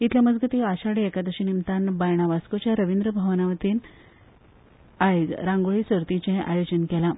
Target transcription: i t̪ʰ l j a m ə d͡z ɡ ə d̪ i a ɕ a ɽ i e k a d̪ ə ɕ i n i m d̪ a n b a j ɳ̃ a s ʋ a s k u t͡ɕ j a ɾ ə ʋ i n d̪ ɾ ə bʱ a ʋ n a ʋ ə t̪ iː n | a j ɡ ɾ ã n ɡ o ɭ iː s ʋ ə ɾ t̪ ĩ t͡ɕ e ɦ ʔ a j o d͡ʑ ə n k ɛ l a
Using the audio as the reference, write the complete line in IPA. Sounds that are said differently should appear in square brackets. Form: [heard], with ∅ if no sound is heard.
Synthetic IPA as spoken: i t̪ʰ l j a m ə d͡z ɡ ə [t̪] i a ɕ a ɽ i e k a d̪ ə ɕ i n i m [t̪] a n b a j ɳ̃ a [∅] ʋ a s k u t͡ɕ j a ɾ ə ʋ i n d̪ ɾ ə bʱ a ʋ n a ʋ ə t̪ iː n | a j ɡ ɾ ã [ŋ] ɡ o ɭ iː s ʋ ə ɾ t̪ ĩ t͡ɕ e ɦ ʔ a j o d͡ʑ ə n k ɛ l a